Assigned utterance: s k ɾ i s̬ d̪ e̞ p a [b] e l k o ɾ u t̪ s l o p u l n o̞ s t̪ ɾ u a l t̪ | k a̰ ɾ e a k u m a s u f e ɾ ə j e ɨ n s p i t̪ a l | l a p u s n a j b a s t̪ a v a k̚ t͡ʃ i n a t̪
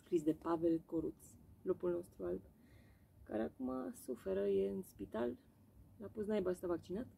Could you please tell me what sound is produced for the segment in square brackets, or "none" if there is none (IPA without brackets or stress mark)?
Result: v